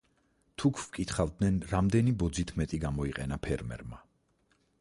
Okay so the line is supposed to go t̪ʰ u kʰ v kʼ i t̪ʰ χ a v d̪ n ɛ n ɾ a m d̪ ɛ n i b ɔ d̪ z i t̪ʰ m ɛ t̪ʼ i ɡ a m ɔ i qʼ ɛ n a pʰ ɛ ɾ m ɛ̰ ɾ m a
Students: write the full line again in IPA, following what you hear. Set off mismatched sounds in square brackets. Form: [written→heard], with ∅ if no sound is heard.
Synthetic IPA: t̪ʰ u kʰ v kʼ i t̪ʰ χ a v d̪ n ɛ n ɾ a m d̪ ɛ n i b ɔ d̪ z i t̪ʰ m ɛ t̪ʼ i ɡ a m ɔ i qʼ ɛ n a pʰ ɛ ɾ m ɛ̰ ɾ m a